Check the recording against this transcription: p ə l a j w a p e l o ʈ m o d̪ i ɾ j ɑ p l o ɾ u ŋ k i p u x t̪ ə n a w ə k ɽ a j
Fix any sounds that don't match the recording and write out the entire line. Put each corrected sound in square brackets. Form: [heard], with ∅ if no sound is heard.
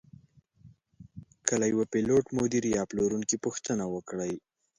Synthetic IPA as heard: [k] ə l a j w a p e l o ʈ m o d̪ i ɾ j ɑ p l o ɾ u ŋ k i p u x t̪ ə n a w ə k ɽ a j